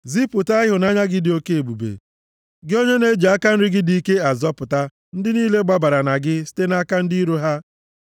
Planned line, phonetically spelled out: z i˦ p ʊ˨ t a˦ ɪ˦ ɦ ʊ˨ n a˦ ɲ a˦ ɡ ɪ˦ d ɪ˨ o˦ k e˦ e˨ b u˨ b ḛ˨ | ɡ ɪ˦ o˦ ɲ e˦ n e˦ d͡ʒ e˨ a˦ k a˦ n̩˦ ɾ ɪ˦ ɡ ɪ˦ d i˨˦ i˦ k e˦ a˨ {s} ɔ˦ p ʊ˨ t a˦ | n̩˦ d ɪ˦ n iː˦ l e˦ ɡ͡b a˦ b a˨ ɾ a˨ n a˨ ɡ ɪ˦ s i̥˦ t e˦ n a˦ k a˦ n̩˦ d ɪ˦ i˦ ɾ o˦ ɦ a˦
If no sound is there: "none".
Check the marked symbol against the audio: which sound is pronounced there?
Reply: z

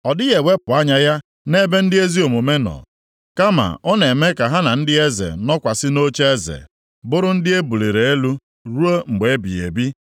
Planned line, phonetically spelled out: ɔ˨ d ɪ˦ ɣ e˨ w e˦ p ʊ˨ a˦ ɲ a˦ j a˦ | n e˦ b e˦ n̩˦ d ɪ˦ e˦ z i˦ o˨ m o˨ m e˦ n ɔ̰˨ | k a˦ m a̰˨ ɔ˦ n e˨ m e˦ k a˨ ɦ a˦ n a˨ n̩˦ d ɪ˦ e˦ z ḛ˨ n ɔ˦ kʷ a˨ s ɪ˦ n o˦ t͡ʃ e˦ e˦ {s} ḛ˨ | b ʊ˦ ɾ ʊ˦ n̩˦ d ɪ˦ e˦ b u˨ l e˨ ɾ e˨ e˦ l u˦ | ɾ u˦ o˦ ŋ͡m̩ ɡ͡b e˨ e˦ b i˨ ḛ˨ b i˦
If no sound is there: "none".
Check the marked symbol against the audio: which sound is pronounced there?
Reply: z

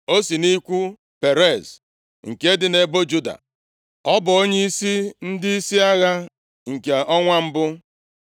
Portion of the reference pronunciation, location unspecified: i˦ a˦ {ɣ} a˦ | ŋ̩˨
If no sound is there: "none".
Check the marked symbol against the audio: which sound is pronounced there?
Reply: ɣ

